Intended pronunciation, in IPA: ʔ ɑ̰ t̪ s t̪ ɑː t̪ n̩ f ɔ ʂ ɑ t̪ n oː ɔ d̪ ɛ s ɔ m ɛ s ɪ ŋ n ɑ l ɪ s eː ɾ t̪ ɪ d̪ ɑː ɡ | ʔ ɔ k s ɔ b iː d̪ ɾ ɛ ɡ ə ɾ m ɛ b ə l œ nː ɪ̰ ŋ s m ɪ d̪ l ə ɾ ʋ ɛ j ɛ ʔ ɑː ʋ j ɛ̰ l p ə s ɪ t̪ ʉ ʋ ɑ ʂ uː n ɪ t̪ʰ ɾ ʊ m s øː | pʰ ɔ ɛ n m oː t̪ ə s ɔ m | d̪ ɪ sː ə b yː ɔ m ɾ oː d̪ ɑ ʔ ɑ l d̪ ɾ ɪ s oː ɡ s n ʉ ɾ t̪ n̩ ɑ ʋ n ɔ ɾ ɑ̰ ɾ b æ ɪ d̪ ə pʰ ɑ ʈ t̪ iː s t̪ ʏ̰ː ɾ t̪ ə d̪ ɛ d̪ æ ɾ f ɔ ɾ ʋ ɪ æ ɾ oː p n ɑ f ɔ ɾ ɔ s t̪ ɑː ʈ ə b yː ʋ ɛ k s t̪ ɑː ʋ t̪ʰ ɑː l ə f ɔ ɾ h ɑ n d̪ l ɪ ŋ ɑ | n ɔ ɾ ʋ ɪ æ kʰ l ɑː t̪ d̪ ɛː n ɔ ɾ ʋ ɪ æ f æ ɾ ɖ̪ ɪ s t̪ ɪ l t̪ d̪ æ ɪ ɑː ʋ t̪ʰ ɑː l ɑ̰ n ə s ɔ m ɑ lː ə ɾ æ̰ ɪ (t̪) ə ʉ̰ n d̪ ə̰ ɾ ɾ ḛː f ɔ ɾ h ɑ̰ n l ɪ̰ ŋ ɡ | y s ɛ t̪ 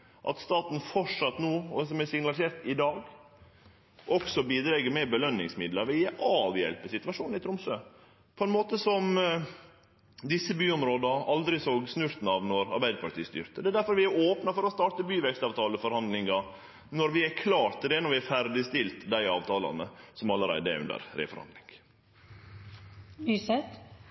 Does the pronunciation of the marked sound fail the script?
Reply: yes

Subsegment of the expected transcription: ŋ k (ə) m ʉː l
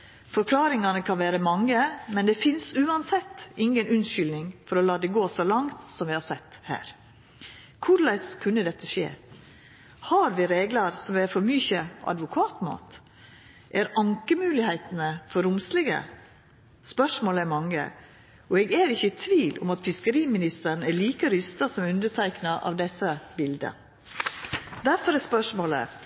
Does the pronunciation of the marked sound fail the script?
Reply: no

